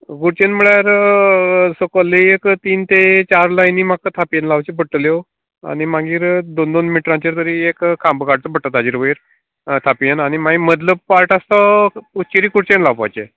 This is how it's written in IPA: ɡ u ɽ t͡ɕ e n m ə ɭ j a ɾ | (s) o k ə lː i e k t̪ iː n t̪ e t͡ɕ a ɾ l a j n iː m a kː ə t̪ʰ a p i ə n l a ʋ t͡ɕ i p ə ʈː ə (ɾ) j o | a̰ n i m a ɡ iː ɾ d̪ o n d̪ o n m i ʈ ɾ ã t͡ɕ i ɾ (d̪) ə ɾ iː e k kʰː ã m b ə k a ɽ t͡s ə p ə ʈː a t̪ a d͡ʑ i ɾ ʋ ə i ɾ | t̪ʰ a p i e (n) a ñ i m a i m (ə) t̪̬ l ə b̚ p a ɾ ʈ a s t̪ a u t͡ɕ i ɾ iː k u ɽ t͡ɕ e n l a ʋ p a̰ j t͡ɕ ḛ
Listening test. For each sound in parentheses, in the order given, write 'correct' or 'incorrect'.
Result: correct, incorrect: l, incorrect: t̪, correct, correct

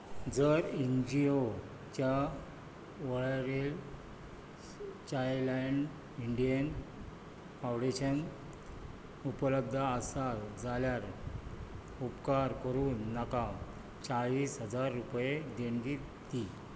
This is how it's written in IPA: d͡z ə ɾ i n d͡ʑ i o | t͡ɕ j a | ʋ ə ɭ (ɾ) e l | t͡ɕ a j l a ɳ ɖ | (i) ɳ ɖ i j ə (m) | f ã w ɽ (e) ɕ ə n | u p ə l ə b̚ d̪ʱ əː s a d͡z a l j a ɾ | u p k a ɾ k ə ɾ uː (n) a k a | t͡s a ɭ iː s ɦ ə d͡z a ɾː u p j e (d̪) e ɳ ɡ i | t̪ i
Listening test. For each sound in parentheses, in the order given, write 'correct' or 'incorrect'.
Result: correct, correct, incorrect: n, correct, incorrect: nː, correct

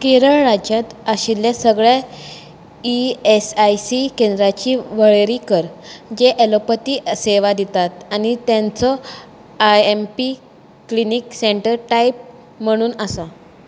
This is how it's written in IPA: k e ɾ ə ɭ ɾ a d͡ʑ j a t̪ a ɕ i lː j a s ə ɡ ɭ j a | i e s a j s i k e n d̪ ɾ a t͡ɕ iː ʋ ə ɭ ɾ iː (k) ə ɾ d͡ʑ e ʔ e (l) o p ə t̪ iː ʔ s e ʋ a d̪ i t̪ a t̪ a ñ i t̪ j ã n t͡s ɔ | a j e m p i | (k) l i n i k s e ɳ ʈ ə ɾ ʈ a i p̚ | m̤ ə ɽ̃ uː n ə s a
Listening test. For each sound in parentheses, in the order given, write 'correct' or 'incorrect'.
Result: correct, correct, correct

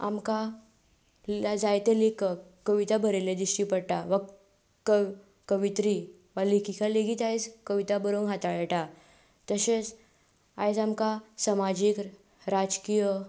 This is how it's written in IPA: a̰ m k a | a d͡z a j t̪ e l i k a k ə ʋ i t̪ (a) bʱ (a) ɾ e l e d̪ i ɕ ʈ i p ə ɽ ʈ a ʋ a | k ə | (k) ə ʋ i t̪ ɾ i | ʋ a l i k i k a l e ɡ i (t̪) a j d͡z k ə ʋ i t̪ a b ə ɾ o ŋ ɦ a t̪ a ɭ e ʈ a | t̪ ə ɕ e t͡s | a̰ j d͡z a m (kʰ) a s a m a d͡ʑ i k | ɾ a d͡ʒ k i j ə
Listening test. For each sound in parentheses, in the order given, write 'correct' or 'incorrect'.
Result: correct, incorrect: ə, correct, correct, incorrect: k

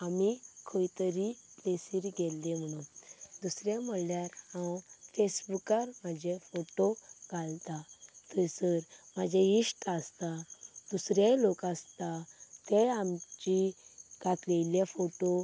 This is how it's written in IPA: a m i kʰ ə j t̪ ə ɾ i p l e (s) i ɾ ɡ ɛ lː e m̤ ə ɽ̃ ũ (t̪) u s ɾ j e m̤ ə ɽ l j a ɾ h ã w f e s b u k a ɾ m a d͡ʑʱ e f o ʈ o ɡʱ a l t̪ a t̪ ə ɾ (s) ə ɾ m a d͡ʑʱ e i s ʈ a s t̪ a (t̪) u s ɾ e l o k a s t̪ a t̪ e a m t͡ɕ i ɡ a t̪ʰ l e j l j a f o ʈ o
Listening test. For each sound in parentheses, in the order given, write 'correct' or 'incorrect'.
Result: correct, incorrect: d̪, correct, incorrect: d̪

